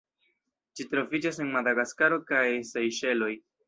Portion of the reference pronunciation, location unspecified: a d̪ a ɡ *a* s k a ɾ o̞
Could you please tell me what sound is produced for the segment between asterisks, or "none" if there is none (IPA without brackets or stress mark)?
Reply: a